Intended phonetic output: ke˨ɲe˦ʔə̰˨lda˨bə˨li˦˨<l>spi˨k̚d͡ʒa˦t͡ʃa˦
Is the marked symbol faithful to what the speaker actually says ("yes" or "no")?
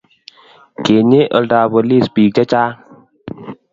no